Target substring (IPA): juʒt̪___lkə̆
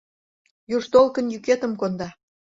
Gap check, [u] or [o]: o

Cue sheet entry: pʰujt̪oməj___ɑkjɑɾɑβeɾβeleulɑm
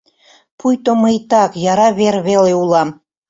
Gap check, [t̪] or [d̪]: t̪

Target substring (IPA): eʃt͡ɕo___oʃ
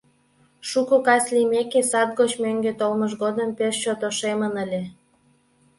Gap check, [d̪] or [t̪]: t̪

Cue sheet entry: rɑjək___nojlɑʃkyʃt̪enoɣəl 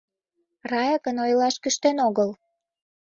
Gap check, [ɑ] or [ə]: ə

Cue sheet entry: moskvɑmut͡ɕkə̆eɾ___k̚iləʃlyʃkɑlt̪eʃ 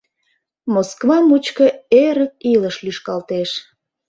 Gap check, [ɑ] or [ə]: ə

